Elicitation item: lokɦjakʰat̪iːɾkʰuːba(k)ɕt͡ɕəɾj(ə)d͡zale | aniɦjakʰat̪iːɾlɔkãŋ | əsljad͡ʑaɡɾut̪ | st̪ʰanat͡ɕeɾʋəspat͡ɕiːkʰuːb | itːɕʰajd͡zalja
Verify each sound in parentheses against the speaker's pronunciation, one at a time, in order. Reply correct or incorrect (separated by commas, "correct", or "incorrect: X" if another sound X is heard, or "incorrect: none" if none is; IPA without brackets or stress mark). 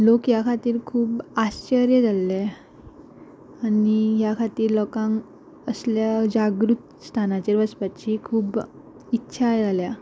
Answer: incorrect: none, correct